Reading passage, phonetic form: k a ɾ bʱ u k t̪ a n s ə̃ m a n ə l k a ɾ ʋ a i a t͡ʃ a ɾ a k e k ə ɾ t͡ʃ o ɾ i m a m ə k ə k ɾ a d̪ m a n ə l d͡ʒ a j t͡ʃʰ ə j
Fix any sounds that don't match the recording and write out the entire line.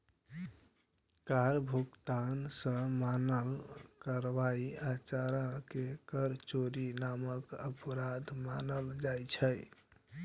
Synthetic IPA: k a ɾ bʱ u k t̪ a n s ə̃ m a n ə l k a ɾ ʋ a i a t͡ʃ a ɾ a k e k ə ɾ t͡ʃ o ɾ i n a m ə k ə p ɾ a d̪ m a n ə l d͡ʒ a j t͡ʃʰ ə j

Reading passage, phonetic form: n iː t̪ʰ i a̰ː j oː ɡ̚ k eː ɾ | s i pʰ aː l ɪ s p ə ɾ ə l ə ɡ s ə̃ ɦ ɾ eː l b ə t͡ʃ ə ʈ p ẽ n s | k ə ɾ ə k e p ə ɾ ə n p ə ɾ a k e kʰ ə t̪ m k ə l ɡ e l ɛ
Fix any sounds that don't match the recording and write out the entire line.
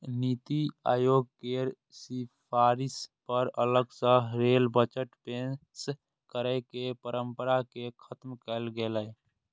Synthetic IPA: n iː t̪ i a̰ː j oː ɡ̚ k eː ɾ | s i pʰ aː ɾ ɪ s p ə ɾ ə l ə ɡ s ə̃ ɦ ɾ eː l b ə t͡ʃ ə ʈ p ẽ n s | k ə ɾ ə k e p ə ɾ ə m p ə ɾ a k e kʰ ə t̪ m k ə l ɡ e l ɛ

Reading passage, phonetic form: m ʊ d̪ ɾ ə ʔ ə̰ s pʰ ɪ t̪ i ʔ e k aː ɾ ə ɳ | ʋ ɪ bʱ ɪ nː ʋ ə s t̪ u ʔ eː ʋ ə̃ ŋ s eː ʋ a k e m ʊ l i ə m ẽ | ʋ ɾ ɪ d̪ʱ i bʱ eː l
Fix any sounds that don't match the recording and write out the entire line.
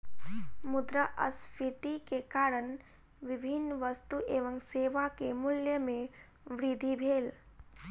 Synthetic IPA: m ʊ d̪ ɾ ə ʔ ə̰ s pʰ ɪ t̪ i k e k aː ɾ ə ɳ | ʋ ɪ bʱ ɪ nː ʋ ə s t̪ u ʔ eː ʋ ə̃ ŋ s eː ʋ a k e m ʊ l j ə m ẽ | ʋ ɾ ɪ d̪ʱ i bʱ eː l

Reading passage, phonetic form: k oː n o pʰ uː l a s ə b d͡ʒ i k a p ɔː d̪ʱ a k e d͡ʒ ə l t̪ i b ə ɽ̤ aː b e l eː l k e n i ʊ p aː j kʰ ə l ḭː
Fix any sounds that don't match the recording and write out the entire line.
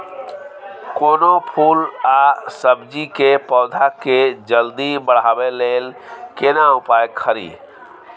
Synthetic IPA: k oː n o pʰ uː l a s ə b d͡ʒ i k e p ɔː d̪ʱ a k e d͡ʒ ə l d̪ i b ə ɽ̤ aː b e l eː l k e n a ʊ p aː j kʰ ə ɾ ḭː

